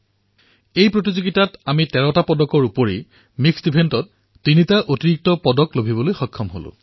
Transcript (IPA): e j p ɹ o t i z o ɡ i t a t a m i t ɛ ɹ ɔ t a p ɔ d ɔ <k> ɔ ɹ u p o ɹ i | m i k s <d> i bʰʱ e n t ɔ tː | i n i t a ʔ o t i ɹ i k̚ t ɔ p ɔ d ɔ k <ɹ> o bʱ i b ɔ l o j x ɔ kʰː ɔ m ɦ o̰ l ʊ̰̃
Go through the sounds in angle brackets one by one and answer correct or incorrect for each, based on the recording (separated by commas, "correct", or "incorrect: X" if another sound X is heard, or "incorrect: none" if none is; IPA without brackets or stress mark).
correct, correct, incorrect: l